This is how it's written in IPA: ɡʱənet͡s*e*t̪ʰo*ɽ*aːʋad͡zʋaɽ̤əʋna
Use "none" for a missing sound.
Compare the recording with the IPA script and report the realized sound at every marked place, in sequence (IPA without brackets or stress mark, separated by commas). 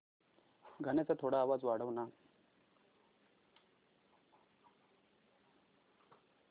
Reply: a, ɽ